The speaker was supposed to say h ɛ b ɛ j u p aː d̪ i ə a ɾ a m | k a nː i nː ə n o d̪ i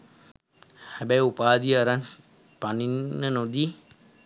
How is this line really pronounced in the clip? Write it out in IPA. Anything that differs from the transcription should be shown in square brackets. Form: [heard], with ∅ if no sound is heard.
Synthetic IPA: h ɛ b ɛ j u p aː d̪ i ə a ɾ a [n] | [p] a [n] i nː ə n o d̪ i